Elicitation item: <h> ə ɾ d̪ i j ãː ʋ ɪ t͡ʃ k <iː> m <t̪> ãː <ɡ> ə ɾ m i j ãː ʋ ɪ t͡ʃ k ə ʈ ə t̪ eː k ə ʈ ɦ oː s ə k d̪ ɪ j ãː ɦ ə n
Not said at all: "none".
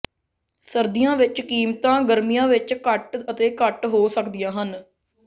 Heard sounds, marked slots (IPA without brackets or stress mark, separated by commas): s, iː, t̪, ɡ